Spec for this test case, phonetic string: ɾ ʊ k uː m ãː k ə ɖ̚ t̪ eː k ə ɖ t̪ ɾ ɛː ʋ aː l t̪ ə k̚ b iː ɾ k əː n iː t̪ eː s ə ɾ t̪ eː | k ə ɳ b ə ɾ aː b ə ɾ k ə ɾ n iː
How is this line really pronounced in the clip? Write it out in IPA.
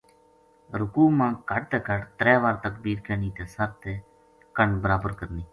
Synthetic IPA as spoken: ɾ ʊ k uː m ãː k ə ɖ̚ t̪ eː k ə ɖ t̪ ɾ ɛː ʋ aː ɾ t̪ ə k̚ b iː ɾ k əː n iː t̪ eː s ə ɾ t̪ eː | k ə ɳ b ə ɾ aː b ə ɾ k ə ɾ n iː